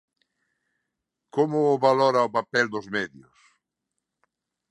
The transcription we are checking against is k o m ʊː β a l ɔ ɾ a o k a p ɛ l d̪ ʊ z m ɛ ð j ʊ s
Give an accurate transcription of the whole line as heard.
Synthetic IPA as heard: k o m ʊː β a l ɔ ɾ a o p a p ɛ l d̪ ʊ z m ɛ ð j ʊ s